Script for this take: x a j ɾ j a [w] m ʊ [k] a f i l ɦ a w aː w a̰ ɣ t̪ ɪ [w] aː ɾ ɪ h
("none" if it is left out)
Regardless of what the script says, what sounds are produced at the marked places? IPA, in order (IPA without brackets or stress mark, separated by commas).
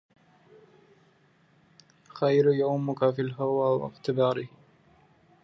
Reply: w, k, b